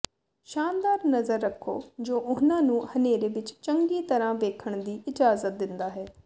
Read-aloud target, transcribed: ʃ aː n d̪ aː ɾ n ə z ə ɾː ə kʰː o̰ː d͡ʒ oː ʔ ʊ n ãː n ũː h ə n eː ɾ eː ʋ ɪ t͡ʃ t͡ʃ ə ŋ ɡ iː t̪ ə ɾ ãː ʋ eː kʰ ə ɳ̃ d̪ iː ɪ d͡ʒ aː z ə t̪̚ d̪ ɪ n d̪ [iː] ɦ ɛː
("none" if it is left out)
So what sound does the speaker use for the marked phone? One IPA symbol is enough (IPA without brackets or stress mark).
aː